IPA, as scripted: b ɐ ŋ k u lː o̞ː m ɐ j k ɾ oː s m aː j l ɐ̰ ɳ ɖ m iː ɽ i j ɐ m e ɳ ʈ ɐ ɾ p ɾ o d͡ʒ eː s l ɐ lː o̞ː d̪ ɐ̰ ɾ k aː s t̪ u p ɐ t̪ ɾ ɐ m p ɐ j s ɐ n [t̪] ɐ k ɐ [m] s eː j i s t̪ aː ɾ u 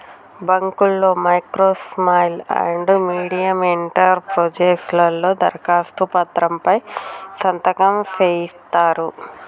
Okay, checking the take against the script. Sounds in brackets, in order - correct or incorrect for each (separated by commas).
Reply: correct, correct